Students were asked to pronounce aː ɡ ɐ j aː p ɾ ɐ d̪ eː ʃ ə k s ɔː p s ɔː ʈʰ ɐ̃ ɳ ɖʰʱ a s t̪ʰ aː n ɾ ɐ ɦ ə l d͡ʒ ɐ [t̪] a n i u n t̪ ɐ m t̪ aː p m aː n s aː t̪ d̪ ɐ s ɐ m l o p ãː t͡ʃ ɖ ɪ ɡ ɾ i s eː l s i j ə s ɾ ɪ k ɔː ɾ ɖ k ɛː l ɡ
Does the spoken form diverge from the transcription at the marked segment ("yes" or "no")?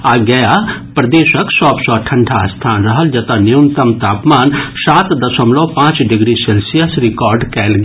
no